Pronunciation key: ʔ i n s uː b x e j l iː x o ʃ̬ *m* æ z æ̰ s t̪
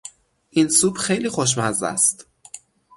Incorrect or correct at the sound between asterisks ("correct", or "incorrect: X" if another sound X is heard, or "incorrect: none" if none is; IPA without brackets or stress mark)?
correct